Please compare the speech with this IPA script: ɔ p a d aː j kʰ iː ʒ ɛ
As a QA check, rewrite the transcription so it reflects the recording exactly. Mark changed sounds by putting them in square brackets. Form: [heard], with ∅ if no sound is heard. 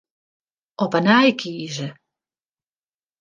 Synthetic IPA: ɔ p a [n] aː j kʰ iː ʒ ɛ